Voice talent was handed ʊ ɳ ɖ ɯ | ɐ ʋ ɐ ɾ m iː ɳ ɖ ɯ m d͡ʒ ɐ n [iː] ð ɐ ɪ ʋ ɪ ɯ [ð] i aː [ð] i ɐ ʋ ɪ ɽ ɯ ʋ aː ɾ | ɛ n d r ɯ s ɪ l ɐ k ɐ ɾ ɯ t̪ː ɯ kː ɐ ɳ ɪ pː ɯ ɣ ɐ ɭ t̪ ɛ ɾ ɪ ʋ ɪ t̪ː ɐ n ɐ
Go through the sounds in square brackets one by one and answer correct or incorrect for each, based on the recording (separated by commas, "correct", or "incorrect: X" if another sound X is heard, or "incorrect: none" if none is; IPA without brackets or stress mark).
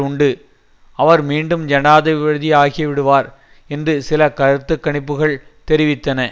incorrect: aː, correct, incorrect: ɣ